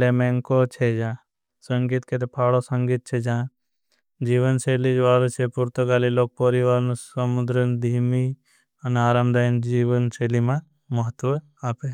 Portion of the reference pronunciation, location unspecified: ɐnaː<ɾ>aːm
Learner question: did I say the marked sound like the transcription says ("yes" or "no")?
yes